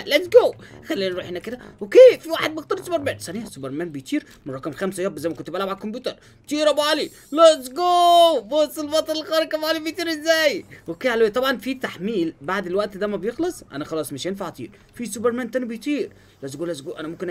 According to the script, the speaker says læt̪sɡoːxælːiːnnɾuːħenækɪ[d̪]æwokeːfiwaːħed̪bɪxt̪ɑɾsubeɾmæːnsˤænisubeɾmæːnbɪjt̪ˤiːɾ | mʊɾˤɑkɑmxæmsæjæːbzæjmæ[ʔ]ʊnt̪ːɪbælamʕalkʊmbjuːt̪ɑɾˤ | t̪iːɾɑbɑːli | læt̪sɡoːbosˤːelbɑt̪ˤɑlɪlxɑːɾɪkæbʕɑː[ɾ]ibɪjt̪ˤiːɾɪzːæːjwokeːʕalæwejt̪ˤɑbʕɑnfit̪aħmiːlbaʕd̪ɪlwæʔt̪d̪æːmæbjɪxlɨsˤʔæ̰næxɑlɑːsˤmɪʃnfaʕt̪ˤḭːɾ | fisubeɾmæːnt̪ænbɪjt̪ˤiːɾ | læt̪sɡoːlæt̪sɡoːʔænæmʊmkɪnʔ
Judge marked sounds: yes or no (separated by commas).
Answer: yes, no, no